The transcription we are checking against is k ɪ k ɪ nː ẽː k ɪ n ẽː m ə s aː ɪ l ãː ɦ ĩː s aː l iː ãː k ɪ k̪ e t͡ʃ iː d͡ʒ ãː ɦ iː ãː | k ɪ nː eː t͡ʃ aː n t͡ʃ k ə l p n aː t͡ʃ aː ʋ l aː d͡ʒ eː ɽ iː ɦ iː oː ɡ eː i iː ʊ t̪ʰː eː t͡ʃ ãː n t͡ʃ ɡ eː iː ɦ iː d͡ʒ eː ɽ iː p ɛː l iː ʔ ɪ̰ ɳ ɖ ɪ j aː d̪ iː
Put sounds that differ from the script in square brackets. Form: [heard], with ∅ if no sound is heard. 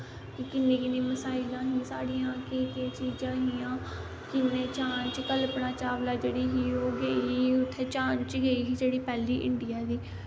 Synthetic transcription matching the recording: k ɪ k ɪ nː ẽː k ɪ n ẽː m ə s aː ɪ l ãː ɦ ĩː s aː [ɽ] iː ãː k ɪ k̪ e t͡ʃ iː d͡ʒ ãː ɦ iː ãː | k ɪ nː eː t͡ʃ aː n t͡ʃ k ə l p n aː t͡ʃ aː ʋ l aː d͡ʒ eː ɽ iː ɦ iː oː ɡ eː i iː ʊ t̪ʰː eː t͡ʃ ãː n t͡ʃ ɡ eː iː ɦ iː d͡ʒ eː ɽ iː p ɛː l iː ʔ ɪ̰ ɳ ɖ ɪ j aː d̪ iː